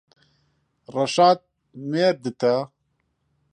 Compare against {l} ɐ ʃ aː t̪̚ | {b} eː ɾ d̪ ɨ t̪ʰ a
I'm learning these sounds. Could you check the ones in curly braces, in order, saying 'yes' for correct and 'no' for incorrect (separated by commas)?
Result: no, no